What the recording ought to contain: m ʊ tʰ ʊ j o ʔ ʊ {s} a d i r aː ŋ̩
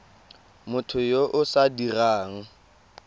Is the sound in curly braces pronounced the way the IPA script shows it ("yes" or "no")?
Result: yes